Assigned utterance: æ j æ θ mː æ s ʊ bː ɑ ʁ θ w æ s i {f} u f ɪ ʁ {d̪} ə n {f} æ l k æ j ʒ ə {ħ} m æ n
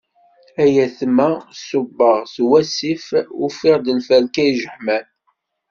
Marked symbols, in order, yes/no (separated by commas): yes, yes, yes, yes